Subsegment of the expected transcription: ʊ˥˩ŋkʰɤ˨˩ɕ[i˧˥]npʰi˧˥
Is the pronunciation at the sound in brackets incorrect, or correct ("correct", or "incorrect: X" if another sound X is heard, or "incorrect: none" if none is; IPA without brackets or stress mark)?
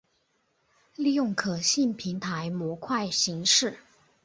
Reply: incorrect: i˥˩